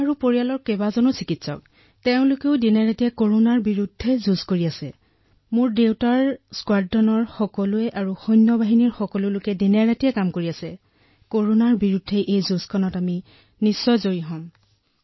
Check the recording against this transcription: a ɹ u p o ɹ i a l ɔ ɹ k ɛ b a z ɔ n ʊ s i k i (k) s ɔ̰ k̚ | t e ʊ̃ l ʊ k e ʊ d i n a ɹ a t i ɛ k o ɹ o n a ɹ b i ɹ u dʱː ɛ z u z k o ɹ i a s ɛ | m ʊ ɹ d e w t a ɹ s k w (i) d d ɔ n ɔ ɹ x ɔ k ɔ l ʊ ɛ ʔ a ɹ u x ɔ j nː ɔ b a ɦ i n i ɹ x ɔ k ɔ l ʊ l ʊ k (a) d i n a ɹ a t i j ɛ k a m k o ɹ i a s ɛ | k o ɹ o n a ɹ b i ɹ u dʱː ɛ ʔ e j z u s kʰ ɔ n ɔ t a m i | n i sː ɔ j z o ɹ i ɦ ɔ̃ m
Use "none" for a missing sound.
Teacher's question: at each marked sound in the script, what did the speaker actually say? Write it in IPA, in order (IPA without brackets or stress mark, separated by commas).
t, a, ɛ